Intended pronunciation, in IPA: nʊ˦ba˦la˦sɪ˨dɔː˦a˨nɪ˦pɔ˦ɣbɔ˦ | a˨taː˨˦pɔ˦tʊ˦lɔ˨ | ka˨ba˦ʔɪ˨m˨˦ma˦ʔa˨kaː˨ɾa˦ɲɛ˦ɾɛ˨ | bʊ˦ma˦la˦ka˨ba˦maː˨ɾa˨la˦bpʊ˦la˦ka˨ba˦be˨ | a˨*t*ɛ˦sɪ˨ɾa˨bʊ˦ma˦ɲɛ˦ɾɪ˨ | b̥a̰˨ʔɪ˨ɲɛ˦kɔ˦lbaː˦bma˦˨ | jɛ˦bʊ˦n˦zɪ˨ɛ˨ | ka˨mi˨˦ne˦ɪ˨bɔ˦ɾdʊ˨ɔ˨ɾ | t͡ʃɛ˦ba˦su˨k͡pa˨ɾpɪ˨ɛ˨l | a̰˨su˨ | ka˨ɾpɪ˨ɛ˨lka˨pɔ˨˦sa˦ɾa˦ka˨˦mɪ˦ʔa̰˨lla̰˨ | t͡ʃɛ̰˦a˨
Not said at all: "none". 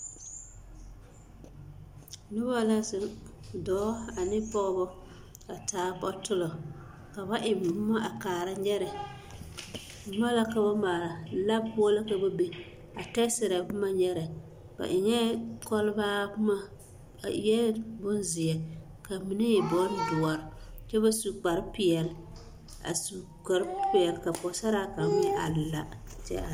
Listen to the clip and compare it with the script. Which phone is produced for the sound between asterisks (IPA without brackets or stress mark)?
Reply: t